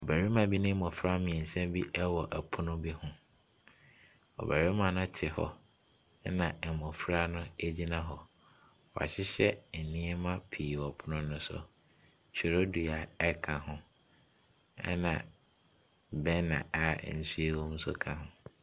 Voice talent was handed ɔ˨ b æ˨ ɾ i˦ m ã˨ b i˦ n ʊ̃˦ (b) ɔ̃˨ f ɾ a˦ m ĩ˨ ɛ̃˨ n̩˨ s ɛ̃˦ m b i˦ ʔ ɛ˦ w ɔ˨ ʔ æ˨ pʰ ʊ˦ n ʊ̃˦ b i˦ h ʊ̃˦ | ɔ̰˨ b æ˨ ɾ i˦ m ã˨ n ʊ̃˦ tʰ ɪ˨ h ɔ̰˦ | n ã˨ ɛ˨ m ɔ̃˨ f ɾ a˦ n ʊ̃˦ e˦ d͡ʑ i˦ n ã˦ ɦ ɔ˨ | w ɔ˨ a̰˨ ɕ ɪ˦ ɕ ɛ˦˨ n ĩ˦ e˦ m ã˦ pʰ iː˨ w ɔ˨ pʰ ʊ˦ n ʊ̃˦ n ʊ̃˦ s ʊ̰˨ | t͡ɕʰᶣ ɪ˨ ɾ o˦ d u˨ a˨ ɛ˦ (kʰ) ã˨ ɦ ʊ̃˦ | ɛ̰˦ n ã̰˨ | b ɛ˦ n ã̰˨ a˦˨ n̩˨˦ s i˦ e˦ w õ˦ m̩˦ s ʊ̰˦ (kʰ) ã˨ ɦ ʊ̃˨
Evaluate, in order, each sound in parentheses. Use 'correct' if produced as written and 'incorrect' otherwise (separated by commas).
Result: incorrect, correct, correct